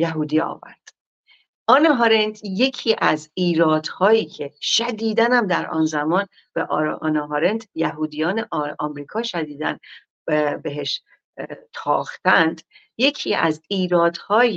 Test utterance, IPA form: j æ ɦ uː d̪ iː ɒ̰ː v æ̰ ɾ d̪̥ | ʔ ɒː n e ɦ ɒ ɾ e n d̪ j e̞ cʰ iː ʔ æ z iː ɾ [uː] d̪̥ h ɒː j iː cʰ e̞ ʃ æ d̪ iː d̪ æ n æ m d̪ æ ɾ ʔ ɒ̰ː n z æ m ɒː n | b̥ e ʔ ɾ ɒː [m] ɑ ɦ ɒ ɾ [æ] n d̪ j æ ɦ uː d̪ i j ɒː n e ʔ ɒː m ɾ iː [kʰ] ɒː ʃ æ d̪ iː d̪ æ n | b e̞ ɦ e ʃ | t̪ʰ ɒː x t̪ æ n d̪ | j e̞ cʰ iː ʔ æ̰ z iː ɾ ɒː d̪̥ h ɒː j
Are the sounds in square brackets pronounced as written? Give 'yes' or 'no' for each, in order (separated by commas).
no, no, no, yes